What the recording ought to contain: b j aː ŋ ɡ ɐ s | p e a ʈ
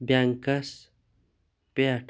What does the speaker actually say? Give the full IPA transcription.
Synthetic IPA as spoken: b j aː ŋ k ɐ s | p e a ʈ